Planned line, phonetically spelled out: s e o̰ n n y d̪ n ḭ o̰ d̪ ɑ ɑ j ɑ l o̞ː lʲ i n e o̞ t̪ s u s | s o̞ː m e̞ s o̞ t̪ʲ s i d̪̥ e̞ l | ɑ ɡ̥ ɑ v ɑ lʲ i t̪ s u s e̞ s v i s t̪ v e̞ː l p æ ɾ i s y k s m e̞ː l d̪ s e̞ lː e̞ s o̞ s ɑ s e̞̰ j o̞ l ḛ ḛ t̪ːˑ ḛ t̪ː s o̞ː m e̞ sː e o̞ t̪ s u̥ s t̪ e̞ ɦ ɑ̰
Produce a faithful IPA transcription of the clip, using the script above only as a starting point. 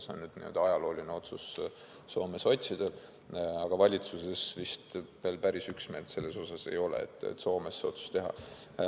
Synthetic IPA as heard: s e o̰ n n y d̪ n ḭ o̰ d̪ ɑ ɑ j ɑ l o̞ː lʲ i n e o̞ t̪ s u s | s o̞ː m e̞ s o̞ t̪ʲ s i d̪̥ e̞ l | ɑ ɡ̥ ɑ v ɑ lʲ i t̪ s u s e̞ s v i s t̪ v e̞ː l p æ ɾ i s y k s m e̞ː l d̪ s e̞ lː e̞ s o̞ s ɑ s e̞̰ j o̞ l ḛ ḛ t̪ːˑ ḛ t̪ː s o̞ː m e̞ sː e o̞ t̪ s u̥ s t̪ e̞ ɦ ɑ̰